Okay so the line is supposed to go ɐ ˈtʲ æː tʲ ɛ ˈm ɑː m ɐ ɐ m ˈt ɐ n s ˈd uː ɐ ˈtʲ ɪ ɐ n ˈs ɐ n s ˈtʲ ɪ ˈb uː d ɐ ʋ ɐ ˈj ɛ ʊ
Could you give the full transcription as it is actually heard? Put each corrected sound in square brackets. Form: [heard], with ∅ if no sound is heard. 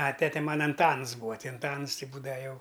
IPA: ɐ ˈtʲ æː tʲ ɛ ˈm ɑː [n] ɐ ɐ [n] ˈt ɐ n s [ˈb] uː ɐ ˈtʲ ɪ ɐ n [ˈt] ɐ n s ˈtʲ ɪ ˈb uː d ɐ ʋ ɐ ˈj ɛ ʊ